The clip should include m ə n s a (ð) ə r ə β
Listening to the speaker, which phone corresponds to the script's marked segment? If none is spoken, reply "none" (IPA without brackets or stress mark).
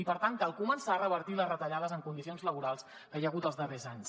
none